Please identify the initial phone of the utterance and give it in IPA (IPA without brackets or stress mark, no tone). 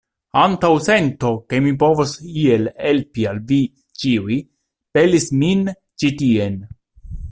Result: a